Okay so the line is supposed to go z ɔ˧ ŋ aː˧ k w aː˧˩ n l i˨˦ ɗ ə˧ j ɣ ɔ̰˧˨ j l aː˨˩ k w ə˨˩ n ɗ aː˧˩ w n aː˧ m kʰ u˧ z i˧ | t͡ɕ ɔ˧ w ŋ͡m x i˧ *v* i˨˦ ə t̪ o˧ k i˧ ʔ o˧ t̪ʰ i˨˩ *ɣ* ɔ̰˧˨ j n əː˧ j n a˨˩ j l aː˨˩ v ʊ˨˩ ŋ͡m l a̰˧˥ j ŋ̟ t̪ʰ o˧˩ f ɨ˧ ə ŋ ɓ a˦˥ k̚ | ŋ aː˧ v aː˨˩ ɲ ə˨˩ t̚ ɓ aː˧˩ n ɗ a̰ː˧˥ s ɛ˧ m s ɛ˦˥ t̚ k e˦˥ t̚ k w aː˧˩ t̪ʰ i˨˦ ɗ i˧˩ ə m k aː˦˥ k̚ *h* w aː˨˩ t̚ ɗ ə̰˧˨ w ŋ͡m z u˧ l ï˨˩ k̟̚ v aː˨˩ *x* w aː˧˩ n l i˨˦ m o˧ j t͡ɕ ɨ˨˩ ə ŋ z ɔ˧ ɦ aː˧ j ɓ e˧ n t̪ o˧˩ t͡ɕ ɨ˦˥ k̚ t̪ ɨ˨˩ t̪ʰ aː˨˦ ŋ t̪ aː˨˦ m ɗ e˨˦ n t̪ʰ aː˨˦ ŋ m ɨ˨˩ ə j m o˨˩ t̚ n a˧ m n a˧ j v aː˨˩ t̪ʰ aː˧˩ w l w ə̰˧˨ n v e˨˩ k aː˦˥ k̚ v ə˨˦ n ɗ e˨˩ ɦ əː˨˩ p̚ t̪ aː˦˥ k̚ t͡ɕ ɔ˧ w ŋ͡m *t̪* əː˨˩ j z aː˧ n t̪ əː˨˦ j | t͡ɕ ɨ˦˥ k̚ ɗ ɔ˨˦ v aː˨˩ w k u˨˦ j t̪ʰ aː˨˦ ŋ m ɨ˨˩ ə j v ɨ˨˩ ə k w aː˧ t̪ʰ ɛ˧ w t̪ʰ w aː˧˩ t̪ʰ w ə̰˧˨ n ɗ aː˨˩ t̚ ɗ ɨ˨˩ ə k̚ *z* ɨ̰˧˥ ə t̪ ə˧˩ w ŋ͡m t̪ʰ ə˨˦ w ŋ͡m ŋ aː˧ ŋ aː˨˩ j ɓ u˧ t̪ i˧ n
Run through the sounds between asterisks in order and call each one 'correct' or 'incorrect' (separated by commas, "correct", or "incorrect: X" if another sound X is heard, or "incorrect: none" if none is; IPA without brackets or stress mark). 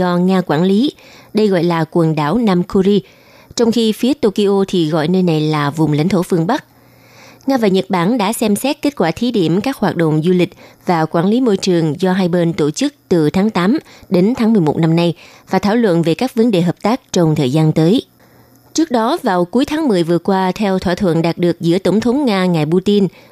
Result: incorrect: f, correct, correct, incorrect: k, incorrect: t̪ʰ, correct